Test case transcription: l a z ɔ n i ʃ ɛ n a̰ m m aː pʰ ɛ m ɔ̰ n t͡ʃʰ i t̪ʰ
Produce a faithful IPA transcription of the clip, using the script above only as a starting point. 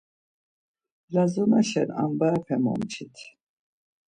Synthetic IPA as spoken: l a z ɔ n a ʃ ɛ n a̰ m b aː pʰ ɛ m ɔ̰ m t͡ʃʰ i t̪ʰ